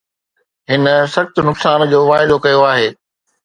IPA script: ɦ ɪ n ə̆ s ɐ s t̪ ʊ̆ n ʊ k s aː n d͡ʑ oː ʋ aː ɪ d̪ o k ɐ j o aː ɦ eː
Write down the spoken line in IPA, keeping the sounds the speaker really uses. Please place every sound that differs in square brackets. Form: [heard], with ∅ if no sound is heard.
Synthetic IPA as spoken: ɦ ɪ n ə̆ s ɐ [x] t̪ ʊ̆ n ʊ k s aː n d͡ʑ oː ʋ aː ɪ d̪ o k ɐ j o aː ɦ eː